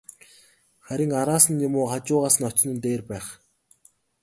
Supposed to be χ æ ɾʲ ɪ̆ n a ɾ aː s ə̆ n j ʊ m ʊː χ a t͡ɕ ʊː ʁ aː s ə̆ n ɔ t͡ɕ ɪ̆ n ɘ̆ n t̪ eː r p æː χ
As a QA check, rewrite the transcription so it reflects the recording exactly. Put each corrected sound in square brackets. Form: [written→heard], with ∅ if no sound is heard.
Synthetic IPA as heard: χ æ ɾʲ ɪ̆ [n→ŋ] a ɾ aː s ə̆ n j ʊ m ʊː χ a t͡ɕ ʊː ʁ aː s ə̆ n ɔ t͡ɕ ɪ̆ n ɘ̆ n t̪ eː r p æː χ